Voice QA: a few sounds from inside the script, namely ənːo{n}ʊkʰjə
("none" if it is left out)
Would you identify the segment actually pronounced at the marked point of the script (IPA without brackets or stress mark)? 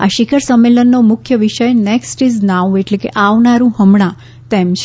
m